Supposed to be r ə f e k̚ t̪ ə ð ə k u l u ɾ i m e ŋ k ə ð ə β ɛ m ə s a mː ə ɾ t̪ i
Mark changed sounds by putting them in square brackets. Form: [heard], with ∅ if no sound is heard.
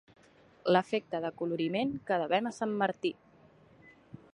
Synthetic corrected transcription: [l] ə f e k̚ t̪ ə ð ə k u l u ɾ i m e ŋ k ə ð ə β ɛ m ə s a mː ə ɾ t̪ i